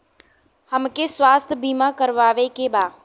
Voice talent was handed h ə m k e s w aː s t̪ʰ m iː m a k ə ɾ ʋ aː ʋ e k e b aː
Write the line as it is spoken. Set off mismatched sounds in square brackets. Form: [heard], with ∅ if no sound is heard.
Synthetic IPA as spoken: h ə m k e s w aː s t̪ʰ [b] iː m a k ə ɾ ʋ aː ʋ e k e b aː